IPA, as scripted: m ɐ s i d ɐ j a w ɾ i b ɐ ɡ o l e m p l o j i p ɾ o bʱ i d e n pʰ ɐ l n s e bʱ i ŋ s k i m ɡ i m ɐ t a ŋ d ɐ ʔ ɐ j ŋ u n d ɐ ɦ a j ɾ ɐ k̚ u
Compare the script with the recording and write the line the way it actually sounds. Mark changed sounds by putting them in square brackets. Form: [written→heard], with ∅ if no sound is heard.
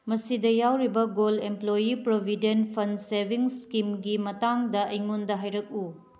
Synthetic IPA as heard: m ɐ s i d ɐ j a w ɾ i b ɐ ɡ o l e m p l o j i p ɾ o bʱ i d e n pʰ ɐ [l→∅] n s e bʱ i ŋ s k i m ɡ i m ɐ t a ŋ d ɐ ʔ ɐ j ŋ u n d ɐ ɦ a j ɾ ɐ k̚ u